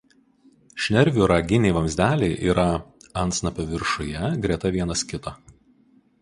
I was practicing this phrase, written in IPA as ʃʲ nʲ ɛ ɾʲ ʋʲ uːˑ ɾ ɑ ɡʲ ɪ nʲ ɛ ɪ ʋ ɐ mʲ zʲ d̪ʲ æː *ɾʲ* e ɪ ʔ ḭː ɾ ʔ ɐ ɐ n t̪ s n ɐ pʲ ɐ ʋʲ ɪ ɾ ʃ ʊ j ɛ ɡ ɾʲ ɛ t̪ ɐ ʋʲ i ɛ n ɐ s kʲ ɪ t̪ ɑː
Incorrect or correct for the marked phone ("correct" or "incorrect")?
incorrect